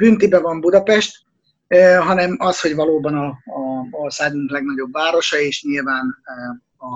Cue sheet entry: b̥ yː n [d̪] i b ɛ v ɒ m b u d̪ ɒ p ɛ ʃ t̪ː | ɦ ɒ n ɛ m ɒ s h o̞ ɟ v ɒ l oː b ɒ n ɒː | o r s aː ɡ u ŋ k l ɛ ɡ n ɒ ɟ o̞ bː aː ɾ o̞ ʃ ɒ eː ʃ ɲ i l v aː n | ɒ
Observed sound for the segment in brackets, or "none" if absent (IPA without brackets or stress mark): t̪